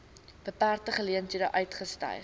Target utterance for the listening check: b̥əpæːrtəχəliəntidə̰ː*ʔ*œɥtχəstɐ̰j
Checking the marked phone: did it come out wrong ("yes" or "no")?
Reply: no